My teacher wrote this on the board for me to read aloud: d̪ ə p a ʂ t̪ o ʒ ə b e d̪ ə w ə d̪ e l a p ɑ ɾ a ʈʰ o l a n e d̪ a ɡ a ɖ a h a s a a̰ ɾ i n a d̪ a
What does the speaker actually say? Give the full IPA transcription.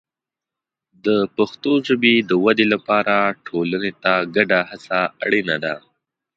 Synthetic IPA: d̪ ə p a x t̪ o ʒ ə b e d̪ ə w a d̪ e l a p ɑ ɾ a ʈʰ o l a n e t̪ a ɡ a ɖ a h a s a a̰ ɽ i n a d̪ a